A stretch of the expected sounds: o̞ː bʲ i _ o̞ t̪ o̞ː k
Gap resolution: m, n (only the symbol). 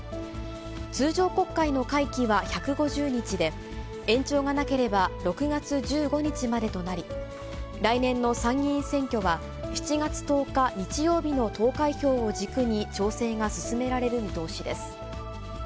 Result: n